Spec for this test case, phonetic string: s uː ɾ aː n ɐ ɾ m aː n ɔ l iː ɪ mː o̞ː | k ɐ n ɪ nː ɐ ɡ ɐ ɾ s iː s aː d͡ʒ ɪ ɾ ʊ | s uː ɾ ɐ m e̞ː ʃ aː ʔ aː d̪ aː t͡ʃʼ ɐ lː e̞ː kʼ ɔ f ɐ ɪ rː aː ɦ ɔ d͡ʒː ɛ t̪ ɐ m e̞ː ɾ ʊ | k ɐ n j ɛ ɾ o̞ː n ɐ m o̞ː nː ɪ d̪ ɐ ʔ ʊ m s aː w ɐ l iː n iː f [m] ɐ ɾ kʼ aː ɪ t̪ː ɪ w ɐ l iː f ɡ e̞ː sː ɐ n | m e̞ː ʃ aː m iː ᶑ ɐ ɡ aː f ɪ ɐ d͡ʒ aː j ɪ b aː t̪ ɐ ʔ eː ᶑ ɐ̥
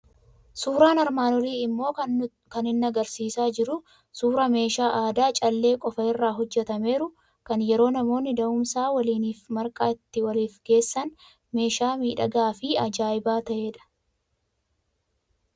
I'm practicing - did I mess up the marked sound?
no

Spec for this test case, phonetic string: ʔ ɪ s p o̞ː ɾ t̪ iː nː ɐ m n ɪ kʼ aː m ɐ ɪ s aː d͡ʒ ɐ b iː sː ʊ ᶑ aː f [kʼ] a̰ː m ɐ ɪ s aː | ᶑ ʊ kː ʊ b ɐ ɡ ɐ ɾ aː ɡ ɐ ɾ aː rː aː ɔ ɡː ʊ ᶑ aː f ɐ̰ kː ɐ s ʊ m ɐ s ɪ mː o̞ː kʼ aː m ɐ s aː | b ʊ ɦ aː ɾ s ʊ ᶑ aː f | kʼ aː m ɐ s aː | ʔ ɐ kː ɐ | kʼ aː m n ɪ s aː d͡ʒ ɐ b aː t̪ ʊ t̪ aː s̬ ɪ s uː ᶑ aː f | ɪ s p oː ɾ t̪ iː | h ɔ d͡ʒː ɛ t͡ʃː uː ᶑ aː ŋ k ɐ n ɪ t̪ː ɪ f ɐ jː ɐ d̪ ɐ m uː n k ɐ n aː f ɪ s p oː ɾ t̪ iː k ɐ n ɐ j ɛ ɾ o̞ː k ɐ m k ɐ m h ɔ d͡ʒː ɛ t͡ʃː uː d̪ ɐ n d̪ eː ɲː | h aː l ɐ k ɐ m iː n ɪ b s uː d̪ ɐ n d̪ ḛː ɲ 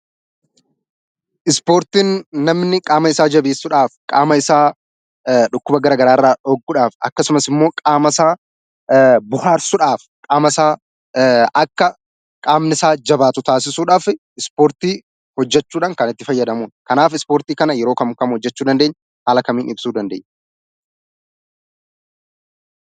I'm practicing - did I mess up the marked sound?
no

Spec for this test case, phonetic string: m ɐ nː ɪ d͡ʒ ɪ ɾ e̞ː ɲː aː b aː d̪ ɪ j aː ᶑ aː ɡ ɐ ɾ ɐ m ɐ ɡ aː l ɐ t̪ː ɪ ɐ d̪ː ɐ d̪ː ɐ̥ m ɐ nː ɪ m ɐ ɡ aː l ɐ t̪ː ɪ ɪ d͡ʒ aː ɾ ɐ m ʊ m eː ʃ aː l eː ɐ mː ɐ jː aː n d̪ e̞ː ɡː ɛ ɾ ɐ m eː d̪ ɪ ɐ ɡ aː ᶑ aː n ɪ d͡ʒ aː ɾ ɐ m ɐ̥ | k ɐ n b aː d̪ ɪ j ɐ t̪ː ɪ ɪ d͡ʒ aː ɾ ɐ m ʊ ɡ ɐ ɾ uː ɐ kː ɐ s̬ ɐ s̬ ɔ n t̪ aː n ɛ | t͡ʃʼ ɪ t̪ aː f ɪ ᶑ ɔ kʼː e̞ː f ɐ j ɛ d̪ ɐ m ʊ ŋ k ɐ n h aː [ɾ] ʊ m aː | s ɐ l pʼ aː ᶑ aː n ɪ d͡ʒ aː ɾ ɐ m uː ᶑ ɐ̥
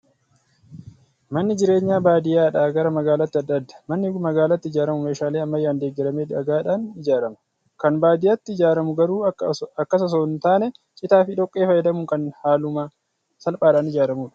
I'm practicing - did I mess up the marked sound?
yes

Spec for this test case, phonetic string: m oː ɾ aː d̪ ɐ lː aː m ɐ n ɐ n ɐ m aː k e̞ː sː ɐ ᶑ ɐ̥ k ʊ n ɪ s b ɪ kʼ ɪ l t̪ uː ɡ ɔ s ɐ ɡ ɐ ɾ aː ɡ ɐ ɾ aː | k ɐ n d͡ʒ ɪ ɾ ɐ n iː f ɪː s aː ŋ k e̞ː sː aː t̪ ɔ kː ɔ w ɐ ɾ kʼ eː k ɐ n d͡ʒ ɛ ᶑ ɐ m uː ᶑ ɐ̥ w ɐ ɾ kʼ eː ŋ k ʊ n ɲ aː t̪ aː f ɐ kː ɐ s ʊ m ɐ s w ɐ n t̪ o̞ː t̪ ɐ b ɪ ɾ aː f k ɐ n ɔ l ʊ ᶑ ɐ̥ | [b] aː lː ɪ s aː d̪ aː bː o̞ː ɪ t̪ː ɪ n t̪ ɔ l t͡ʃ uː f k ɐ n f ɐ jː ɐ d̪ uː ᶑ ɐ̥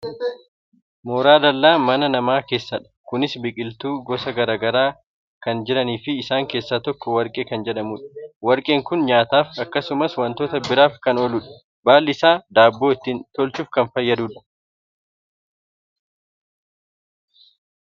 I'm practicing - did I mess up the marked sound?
no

